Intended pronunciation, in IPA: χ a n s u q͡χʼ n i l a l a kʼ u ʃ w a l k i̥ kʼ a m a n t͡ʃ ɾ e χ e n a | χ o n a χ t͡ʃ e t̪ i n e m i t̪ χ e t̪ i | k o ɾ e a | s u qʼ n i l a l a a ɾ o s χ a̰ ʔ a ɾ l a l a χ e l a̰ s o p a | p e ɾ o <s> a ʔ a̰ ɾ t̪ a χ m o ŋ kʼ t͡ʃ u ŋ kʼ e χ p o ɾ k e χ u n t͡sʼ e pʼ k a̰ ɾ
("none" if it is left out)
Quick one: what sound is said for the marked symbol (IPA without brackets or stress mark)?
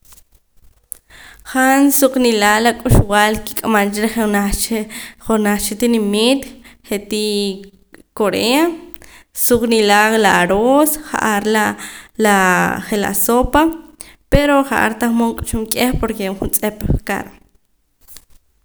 χ